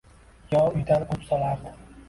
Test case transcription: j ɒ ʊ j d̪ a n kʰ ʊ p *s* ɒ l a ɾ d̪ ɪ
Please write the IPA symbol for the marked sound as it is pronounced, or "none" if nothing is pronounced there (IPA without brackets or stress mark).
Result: s